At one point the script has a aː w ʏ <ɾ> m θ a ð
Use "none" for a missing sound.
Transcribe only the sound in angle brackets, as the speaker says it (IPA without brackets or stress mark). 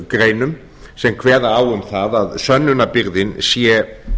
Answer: none